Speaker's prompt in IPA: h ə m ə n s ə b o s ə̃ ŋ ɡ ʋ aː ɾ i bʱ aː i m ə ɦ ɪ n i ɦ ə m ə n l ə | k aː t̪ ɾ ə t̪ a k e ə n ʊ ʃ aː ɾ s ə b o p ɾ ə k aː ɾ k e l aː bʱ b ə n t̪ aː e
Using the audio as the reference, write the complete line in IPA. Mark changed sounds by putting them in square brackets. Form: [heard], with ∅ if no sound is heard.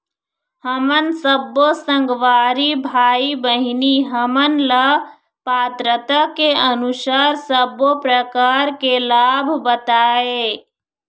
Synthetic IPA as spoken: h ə m ə n s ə b o s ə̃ ŋ ɡ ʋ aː ɾ i bʱ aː i [b] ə ɦ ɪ n i ɦ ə m ə n l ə | [p] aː t̪ ɾ ə t̪ a k e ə n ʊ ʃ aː ɾ s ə b o p ɾ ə k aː ɾ k e l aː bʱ b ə [∅] t̪ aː e